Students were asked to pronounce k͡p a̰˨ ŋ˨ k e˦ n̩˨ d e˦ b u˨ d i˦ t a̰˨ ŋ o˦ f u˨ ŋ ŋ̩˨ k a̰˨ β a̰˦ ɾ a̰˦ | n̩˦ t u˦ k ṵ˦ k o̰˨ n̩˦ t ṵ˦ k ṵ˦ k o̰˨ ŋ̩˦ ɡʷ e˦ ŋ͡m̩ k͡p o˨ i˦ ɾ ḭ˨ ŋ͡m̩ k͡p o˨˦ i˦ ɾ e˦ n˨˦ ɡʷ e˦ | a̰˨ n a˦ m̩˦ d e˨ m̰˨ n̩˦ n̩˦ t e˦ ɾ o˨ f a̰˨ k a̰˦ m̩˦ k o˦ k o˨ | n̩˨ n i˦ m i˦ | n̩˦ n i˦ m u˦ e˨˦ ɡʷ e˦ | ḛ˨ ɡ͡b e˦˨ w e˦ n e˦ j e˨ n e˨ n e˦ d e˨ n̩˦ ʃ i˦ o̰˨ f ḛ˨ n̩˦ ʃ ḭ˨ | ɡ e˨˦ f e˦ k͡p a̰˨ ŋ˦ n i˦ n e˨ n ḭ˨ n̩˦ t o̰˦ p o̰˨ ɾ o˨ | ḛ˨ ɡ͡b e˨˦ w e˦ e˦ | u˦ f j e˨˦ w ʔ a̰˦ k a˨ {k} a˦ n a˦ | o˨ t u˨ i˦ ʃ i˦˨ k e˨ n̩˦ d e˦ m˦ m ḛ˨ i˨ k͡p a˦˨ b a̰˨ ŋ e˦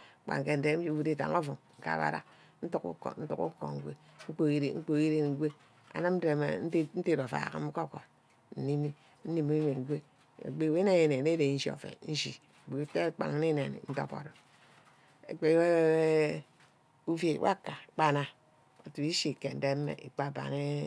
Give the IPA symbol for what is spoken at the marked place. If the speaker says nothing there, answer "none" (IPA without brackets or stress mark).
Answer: k͡p